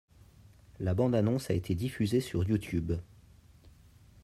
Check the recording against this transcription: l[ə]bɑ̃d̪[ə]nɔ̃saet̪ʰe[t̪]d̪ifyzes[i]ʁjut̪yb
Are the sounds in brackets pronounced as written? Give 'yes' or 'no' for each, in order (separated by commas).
no, no, no, no